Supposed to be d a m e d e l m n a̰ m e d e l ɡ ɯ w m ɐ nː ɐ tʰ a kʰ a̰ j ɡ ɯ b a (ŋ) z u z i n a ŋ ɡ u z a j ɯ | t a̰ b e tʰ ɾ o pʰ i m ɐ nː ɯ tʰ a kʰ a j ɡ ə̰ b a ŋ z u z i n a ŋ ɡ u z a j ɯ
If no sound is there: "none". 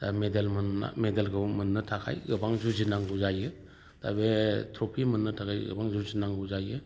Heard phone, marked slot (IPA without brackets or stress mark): ŋ